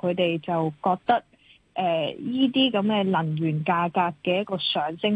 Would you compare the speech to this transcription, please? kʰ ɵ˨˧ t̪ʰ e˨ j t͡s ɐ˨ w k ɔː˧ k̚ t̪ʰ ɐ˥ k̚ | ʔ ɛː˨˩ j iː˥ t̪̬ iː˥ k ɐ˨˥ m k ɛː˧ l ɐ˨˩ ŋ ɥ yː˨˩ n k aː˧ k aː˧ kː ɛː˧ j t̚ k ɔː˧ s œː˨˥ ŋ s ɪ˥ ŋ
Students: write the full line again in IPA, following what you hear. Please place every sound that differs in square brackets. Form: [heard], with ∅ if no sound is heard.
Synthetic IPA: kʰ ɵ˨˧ [t̪] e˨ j t͡s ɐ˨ w k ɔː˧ k̚ [t̪] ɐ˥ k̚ | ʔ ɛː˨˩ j iː˥ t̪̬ iː˥ k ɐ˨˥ m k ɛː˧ l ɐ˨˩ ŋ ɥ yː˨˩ n k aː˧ k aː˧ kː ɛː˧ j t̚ k ɔː˧ s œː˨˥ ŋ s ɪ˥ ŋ